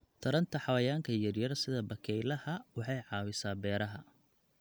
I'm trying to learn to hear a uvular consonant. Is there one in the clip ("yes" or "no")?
no